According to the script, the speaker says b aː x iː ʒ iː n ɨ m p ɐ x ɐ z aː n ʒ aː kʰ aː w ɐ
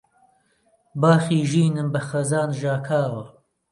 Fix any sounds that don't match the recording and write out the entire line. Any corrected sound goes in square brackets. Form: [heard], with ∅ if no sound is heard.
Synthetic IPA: b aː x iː ʒ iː n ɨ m [b] ɐ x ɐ z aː n ʒ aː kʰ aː w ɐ